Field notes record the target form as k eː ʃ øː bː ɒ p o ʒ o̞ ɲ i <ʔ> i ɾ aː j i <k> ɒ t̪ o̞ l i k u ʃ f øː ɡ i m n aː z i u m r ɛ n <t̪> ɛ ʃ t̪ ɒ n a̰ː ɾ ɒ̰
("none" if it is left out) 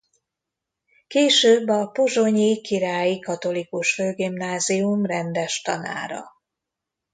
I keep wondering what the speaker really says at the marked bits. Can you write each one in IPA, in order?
k, k, d̪

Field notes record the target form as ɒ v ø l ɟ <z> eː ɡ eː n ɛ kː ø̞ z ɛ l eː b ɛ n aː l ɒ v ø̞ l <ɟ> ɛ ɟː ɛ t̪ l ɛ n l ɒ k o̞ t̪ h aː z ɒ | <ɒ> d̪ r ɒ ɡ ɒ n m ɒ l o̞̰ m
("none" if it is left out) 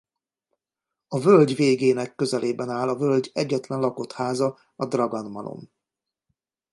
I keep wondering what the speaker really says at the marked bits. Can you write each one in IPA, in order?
v, ɟ, ɒ

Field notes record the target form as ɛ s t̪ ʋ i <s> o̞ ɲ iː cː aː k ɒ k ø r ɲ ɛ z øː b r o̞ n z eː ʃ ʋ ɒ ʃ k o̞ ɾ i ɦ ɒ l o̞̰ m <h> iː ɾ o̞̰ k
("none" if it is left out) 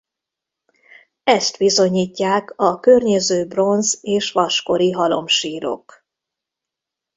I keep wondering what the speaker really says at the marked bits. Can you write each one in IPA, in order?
z, ʃ

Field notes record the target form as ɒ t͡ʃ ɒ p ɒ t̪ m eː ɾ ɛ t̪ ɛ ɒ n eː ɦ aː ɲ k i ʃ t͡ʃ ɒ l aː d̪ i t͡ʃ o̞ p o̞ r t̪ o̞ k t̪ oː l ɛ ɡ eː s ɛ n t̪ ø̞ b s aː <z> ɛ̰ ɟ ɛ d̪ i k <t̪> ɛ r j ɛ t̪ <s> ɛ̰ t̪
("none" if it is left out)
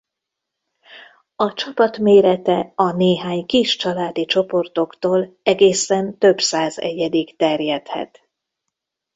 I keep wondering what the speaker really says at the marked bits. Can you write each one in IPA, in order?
z, t̪, h

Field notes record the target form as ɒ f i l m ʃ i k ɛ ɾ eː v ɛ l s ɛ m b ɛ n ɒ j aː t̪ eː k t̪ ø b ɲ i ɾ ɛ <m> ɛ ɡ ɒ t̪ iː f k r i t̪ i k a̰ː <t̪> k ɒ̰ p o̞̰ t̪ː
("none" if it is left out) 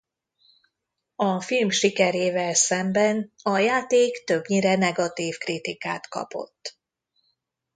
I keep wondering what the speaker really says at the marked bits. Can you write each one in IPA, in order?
n, t̪

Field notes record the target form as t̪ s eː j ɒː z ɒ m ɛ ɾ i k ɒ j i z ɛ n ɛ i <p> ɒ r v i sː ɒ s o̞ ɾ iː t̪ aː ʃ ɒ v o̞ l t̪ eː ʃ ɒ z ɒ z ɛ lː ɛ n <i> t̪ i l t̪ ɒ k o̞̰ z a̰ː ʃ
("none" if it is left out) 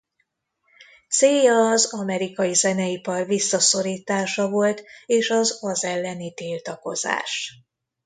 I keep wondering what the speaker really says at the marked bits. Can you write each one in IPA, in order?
p, i

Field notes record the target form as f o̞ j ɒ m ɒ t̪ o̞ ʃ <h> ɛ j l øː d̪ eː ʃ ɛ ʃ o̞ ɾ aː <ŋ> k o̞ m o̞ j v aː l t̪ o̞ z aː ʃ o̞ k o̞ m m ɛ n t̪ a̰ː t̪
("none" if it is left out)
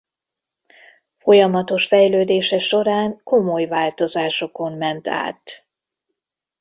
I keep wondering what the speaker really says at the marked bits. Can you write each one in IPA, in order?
f, ŋ

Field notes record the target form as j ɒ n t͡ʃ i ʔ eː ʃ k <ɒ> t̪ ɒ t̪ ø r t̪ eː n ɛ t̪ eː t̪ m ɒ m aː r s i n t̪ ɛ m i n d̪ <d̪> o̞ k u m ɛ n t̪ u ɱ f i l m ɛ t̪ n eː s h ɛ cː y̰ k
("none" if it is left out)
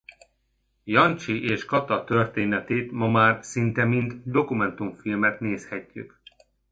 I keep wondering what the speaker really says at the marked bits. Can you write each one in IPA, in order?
ɒ, d̪

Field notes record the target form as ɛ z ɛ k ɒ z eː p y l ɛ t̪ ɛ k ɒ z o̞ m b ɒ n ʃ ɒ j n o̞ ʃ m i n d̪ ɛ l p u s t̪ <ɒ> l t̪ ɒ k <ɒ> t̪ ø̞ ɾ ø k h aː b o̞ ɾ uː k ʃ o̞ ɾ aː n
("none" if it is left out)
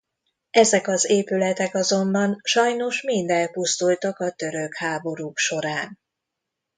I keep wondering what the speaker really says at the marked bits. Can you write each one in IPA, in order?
u, ɒ

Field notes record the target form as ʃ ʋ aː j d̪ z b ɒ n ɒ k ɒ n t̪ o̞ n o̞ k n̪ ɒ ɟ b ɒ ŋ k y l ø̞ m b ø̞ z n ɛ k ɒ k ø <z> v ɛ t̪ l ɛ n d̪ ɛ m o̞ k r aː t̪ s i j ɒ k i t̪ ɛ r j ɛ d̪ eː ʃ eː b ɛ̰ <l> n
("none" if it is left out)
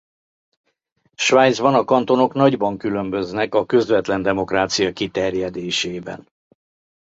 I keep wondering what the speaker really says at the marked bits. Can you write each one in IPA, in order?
z, none

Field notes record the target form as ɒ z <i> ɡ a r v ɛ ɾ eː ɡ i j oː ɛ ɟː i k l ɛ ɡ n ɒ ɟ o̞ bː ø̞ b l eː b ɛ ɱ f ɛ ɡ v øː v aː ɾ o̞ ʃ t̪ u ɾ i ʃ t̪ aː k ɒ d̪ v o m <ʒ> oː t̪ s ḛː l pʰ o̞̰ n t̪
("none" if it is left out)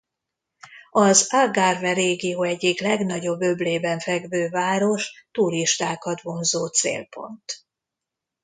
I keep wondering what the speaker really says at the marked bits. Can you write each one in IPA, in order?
a, z

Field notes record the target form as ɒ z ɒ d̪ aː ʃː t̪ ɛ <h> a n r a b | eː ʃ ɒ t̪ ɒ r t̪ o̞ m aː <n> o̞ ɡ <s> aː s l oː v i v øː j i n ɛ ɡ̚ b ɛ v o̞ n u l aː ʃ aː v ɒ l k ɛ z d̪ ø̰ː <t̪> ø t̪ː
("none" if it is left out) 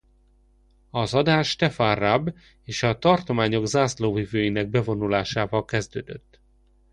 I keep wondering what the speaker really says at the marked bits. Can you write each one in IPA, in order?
f, ɲ, z, d̪

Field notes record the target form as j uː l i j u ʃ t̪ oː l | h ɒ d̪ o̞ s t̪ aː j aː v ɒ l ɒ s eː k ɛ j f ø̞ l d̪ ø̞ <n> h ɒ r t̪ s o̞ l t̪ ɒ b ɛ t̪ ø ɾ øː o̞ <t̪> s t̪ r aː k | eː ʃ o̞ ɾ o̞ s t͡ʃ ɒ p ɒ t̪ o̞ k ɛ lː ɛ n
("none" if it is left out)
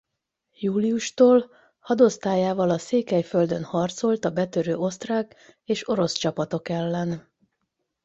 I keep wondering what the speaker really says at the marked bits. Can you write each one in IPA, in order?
n, none

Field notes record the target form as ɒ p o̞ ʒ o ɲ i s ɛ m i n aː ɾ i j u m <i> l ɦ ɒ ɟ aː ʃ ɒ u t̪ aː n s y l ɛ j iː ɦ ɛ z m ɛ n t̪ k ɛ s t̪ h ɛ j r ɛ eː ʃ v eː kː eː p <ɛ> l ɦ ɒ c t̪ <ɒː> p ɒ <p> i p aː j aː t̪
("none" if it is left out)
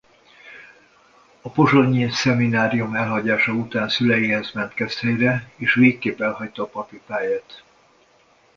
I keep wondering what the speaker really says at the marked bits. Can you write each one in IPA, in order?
ɛ, ɛ, ɒː, p

